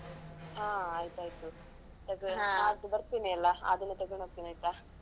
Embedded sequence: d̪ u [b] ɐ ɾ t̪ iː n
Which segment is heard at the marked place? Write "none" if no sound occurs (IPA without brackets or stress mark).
b